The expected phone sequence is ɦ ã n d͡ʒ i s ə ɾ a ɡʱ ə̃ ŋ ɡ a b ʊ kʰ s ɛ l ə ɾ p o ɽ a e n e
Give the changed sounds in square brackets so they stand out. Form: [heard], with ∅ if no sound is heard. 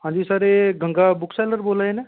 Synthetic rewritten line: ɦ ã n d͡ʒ i s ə ɾ [e] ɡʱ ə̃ ŋ ɡ a b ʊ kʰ s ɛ l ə ɾ [b] o [l] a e n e